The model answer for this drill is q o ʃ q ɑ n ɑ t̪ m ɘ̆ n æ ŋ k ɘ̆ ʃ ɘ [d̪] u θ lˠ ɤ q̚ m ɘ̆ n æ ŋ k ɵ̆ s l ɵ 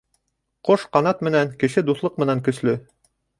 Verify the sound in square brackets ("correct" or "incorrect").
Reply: correct